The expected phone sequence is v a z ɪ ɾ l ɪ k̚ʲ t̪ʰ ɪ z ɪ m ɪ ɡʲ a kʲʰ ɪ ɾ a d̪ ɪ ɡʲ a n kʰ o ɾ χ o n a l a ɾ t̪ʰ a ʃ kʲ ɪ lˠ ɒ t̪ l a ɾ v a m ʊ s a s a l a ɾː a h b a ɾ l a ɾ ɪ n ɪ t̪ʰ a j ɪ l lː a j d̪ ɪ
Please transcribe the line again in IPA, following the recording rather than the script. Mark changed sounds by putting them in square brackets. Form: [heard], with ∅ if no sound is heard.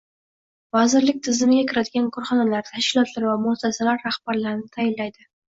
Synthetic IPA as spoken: v a z ɪ ɾ l ɪ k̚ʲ t̪ʰ ɪ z ɪ m ɪ ɡʲ a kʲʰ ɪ ɾ a d̪ ɪ ɡʲ a n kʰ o ɾ χ [ɒ] n a l a ɾ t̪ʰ a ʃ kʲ ɪ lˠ ɒ t̪ l a ɾ v a m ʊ s a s a l a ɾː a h b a ɾ l a ɾ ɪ n ɪ t̪ʰ a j ɪ l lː a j d̪ ɪ